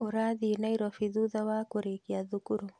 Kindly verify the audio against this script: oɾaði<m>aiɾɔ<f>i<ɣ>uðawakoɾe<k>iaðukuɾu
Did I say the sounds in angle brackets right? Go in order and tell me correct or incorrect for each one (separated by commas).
incorrect, correct, incorrect, correct